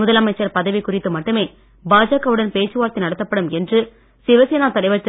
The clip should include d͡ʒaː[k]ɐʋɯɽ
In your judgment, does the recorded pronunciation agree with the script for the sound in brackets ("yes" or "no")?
yes